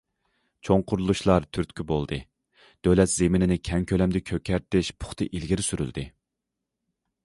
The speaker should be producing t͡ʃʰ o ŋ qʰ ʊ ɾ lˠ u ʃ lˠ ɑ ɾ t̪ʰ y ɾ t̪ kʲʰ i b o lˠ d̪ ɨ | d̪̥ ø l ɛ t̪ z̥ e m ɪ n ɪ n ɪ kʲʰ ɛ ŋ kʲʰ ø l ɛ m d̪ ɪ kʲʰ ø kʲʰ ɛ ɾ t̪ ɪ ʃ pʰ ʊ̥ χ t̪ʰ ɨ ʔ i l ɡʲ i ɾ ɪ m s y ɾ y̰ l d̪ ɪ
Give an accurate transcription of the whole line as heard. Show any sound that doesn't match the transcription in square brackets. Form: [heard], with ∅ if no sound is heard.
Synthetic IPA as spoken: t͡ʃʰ o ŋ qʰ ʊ ɾ lˠ u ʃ lˠ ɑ ɾ t̪ʰ y ɾ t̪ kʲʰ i b o lˠ d̪ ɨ | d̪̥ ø l ɛ t̪ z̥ e m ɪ n ɪ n ɪ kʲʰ ɛ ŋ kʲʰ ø l ɛ m d̪ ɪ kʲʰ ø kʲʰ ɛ ɾ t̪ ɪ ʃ pʰ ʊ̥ χ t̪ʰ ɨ ʔ i l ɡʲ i ɾ ɪ [∅] s y ɾ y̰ l d̪ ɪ

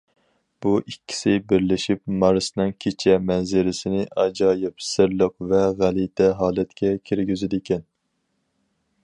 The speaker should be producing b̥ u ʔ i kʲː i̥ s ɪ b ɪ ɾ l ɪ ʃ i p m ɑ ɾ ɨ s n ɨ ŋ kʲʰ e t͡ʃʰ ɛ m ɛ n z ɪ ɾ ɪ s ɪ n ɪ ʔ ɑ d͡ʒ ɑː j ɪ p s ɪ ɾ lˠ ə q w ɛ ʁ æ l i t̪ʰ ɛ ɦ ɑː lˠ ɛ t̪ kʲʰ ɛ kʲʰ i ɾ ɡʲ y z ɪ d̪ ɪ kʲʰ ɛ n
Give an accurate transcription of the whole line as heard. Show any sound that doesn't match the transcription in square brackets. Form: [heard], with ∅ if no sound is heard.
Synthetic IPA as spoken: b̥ u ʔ i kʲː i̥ s ɪ b ɪ ɾ l ɪ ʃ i p m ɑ ɾ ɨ s n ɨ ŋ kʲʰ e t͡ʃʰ ɛ m ɛ n z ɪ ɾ ɪ s ɪ n ɪ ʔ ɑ d͡ʒ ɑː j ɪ p s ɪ ɾ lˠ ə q [v] ɛ ʁ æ l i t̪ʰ ɛ ɦ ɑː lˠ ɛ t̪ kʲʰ ɛ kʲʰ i ɾ ɡʲ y z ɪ d̪ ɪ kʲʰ ɛ n

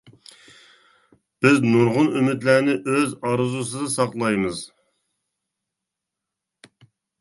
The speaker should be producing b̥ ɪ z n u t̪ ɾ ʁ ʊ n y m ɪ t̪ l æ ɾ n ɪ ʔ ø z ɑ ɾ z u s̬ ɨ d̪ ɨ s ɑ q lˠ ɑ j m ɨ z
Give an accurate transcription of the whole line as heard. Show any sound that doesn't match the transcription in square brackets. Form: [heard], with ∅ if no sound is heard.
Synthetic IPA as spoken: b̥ ɪ z n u [∅] ɾ ʁ ʊ n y m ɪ t̪ l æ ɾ n ɪ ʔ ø z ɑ ɾ z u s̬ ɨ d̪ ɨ s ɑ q lˠ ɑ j m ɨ z

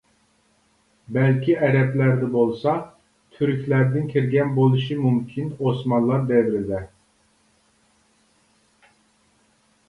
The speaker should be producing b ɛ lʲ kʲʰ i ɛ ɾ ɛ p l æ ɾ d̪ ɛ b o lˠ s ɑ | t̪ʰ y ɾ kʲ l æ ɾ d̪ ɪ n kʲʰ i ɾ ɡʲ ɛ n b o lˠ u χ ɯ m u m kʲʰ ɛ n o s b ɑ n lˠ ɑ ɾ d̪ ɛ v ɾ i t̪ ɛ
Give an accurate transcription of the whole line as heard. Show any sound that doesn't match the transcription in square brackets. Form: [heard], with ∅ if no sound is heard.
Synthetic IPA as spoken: b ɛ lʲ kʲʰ i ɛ ɾ ɛ p l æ ɾ d̪ ɛ b o lˠ s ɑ | t̪ʰ y ɾ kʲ l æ ɾ d̪ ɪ n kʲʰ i ɾ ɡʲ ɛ n b o lˠ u [ʃ] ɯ m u m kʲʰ [i] n o s [m] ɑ n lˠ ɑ ɾ d̪ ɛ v ɾ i [d̪] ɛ

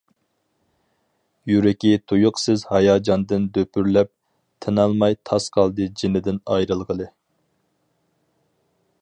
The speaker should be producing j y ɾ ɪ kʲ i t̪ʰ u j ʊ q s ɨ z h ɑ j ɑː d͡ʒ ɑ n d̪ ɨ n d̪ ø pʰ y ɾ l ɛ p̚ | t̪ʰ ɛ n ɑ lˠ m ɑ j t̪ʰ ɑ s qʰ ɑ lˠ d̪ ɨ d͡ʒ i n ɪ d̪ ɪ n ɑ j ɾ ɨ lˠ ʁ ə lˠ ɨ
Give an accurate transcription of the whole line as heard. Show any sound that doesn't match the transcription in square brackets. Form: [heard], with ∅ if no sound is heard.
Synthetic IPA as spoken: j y ɾ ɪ kʲ i t̪ʰ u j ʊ q s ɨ z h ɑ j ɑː d͡ʒ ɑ n d̪ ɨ n d̪ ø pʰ y ɾ l ɛ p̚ | t̪ʰ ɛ n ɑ lˠ m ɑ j t̪ʰ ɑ s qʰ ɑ lˠ d̪ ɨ d͡ʒ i n ɪ d̪ ɪ n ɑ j ɾ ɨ lˠ ʁ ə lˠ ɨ

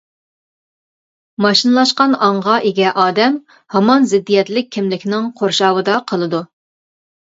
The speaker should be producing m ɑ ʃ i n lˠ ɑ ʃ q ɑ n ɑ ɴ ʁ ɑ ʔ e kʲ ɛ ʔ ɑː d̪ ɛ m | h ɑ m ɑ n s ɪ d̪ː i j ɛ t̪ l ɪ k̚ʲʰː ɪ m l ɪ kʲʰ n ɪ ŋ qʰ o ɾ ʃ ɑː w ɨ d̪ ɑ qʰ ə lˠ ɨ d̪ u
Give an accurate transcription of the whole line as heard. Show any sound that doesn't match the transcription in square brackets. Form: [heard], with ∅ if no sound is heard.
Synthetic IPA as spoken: m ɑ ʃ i n lˠ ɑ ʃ q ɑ n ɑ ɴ ʁ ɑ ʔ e [ɡʲ] ɛ ʔ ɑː d̪ ɛ m | h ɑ m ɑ n [z] ɪ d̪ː i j ɛ t̪ l ɪ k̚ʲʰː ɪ m l ɪ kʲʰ n ɪ ŋ qʰ o ɾ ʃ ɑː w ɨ d̪ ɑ qʰ ə lˠ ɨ d̪ u

